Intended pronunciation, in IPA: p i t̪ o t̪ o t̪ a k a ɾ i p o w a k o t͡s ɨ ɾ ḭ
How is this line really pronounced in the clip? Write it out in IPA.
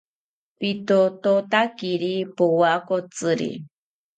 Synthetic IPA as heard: p i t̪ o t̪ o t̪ a k i ɾ i p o w a k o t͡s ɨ ɾ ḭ